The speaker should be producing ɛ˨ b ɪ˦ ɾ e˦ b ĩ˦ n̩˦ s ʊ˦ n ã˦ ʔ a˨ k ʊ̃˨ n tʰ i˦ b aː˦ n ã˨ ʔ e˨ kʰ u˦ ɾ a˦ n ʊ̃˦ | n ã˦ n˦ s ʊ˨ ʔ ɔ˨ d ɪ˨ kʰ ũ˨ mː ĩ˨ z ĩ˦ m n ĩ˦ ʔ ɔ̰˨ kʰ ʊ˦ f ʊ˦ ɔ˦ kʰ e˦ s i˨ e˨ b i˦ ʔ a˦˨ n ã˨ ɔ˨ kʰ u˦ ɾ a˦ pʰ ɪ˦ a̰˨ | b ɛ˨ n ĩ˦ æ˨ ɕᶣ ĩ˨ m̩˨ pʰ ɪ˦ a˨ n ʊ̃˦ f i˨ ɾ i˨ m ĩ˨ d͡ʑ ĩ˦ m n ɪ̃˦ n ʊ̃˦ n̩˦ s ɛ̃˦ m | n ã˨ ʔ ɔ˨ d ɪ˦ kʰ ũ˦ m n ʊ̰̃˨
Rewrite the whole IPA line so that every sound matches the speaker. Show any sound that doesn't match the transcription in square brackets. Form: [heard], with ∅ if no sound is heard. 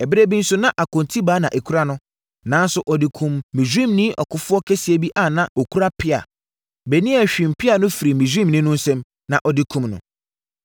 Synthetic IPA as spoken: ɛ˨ b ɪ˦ ɾ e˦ b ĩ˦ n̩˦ s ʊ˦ n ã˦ ʔ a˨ k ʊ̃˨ n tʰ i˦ b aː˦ n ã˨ ʔ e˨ kʰ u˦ ɾ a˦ n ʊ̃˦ | n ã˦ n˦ s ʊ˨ ʔ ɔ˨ d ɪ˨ kʰ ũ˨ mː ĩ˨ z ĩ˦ m n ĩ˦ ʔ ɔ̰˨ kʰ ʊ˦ f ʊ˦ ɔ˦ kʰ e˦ s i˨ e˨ b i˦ ʔ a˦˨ n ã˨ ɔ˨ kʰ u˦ ɾ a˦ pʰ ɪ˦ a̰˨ | b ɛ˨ n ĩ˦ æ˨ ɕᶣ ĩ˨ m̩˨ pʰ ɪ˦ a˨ n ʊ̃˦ f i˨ ɾ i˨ m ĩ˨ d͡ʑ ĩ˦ m n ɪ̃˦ n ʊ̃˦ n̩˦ s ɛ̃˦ m | n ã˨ ʔ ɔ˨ d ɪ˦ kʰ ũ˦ m n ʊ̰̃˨

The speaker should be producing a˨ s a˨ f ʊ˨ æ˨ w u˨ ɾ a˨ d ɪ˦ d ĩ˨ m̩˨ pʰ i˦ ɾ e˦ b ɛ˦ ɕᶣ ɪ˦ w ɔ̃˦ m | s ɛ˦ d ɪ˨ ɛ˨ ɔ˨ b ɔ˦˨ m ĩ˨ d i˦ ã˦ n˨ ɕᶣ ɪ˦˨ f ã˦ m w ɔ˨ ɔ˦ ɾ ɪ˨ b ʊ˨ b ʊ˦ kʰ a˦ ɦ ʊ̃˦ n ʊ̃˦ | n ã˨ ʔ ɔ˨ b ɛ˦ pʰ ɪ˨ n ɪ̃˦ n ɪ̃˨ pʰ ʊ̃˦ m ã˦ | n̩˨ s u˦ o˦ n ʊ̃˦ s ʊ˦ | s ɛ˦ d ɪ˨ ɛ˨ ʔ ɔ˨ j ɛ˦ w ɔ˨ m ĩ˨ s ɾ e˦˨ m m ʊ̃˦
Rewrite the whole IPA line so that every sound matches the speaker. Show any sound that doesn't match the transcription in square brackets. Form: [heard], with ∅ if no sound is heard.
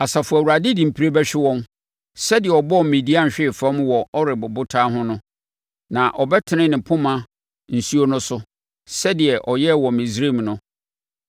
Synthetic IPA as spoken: a˨ s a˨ f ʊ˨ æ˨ w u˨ ɾ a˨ d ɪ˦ d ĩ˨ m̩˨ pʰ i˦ ɾ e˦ b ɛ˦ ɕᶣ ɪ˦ w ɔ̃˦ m | s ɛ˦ d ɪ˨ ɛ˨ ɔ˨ b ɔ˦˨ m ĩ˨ d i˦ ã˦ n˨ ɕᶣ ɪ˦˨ f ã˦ m w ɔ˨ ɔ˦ ɾ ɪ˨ b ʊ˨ b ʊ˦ [tʰ] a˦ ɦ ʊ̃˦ n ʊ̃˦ | n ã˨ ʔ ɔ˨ b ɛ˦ [tʰ] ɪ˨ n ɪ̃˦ n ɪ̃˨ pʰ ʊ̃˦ m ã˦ | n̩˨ s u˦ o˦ n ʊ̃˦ s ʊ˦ | s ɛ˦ d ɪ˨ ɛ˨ ʔ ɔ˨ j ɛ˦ w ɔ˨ m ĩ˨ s ɾ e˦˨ m [n] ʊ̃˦

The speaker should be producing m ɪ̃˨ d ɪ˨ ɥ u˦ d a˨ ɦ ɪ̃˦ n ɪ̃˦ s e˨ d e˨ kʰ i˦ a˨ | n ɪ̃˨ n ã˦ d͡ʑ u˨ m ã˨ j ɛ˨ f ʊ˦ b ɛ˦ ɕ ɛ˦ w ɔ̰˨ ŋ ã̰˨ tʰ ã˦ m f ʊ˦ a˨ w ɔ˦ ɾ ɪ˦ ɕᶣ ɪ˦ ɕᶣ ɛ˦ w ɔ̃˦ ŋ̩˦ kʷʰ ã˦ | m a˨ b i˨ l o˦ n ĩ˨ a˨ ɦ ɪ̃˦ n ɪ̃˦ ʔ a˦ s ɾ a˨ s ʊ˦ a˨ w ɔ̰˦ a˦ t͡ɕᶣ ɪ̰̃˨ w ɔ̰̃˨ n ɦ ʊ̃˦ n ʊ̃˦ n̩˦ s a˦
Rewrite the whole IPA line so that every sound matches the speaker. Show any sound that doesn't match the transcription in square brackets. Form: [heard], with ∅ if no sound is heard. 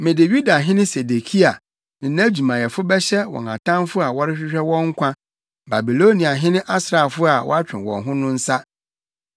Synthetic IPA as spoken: m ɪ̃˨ d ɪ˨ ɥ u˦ d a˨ ɦ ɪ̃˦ n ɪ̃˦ s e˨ d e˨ kʰ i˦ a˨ | n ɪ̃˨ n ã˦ d͡ʑ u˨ m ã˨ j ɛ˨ f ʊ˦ b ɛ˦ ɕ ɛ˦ w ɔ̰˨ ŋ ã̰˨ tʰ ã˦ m f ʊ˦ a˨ w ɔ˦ ɾ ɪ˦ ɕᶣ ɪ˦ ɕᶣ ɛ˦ w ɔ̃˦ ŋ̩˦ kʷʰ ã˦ | [b] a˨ b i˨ l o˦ n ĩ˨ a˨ ɦ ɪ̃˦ n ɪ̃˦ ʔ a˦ s ɾ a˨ [f] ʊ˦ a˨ w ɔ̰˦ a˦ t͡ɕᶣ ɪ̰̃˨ w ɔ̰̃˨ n ɦ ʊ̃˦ n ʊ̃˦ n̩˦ s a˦

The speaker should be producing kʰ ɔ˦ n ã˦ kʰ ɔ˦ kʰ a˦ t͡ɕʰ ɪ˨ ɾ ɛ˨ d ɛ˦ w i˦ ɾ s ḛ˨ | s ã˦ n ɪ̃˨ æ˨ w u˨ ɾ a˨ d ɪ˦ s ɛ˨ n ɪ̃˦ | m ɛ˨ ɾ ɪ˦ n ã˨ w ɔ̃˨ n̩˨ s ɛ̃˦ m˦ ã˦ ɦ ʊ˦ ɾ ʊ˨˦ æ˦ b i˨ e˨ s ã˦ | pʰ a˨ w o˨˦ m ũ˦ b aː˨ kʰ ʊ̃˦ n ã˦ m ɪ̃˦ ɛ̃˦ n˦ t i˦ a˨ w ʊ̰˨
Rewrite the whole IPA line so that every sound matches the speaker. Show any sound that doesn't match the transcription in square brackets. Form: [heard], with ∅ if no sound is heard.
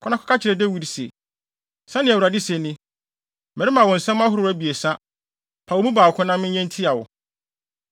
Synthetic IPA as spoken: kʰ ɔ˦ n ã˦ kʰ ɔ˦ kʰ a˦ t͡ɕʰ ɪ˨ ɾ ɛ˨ d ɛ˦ w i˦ ɾ s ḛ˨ | s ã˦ n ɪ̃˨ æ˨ w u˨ ɾ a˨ d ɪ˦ s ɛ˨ n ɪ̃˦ | m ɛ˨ ɾ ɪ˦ [m] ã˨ w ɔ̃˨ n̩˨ s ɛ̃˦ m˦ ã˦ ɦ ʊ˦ ɾ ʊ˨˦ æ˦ b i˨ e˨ s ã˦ | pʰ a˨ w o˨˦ m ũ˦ b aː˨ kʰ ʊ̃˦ n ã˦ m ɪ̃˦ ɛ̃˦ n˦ [tʰ] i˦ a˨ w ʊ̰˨

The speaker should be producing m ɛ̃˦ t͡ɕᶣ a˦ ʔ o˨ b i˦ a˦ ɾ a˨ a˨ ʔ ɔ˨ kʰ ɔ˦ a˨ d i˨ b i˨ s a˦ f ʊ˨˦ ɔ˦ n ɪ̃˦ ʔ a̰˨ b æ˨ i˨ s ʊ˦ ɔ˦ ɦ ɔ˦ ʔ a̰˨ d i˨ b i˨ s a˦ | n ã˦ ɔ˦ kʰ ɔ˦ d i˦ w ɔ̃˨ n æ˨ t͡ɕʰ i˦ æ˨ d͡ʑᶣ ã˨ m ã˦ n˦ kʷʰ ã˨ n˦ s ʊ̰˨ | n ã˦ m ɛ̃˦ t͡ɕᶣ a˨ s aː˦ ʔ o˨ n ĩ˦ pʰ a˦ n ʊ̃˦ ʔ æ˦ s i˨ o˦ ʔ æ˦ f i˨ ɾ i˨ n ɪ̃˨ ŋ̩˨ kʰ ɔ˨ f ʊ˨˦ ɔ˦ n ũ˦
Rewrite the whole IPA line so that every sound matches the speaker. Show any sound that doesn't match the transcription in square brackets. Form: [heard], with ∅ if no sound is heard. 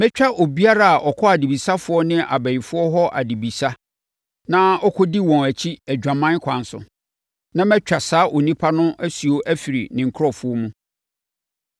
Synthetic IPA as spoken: m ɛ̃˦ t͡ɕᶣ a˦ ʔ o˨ b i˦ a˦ ɾ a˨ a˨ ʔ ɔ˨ kʰ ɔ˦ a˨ d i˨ b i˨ s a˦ f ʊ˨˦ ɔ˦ n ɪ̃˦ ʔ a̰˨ b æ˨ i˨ [f] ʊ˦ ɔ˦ ɦ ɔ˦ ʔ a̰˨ d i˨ b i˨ s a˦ | n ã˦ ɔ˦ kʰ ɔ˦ d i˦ w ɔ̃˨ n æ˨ t͡ɕʰ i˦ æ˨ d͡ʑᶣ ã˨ m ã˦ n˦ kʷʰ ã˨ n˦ s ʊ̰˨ | n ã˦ m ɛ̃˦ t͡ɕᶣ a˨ s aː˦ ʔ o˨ n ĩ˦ pʰ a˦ n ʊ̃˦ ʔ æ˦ s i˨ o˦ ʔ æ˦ f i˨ ɾ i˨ n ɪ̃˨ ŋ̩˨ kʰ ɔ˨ f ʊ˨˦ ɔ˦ [m] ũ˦

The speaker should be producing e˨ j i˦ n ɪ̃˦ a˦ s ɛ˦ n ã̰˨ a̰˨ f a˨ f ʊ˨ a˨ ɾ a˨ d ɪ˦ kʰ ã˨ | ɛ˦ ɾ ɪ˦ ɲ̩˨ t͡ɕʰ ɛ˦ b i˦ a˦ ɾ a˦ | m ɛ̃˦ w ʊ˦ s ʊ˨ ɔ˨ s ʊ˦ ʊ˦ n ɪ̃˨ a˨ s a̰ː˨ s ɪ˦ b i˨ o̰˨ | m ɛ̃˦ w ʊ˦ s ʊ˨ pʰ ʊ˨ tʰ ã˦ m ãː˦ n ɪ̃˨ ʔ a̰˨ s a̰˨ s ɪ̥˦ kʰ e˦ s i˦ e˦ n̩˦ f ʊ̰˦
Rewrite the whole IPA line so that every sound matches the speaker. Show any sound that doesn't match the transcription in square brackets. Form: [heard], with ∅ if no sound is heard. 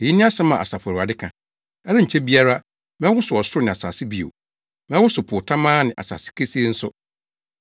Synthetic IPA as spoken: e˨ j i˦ n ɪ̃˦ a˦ s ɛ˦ [m] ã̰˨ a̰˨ [s] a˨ f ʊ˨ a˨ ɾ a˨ d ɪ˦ kʰ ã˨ | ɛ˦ ɾ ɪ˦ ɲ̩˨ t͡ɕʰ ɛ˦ b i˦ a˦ ɾ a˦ | m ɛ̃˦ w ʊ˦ s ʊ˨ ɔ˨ s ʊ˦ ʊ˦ n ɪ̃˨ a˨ s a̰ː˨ s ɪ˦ b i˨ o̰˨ | m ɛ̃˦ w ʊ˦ s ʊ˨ pʰ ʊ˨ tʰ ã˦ m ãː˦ n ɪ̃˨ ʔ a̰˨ s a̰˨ s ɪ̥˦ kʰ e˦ s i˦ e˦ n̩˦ [s] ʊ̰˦

